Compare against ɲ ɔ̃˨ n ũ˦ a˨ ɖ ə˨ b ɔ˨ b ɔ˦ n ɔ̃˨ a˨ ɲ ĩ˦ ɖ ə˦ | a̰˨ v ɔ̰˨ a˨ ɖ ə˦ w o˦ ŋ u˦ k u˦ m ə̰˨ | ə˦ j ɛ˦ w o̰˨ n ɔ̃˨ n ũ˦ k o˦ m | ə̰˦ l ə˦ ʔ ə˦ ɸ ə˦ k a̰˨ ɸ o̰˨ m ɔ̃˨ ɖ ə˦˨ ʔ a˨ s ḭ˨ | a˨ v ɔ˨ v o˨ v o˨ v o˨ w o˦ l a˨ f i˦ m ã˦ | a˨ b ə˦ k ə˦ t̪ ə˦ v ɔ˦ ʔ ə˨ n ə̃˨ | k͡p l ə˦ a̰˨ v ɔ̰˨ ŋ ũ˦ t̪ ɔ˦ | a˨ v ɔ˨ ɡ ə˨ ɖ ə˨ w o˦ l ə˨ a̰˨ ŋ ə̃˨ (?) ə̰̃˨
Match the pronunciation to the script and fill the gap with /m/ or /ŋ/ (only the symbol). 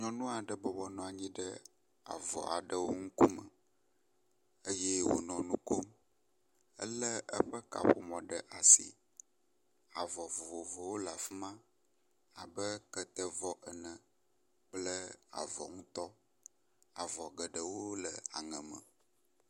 m